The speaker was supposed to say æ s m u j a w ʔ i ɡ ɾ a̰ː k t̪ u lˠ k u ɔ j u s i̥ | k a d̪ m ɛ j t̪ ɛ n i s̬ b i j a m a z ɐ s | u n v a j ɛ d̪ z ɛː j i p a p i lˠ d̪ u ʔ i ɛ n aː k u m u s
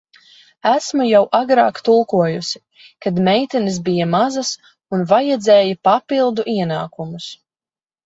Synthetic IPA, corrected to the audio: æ s m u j a w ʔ a ɡ ɾ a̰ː k t̪ u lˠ k u ɔ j u s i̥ | k a d̪ m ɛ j t̪ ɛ n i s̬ b i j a m a z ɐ s | u n v a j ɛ d̪ z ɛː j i p a p i lˠ d̪ u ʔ i ɛ n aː k u m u s